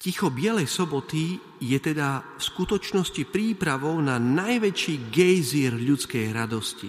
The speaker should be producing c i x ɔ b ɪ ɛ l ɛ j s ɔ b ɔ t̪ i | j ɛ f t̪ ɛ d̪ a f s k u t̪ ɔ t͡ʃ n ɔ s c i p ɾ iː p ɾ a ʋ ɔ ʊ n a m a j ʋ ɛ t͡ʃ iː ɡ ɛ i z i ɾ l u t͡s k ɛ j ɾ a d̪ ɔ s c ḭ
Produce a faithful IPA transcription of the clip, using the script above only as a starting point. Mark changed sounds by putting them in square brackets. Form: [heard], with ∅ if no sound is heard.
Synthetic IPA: c i x ɔ b ɪ ɛ l ɛ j s ɔ b ɔ t̪ i | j ɛ [∅] t̪ ɛ d̪ a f s k u t̪ ɔ t͡ʃ n ɔ s c i p ɾ iː p ɾ a ʋ ɔ ʊ n a [n] a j ʋ ɛ t͡ʃ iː ɡ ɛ [j] z i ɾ [ʎ] u t͡s k ɛ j ɾ a d̪ ɔ s c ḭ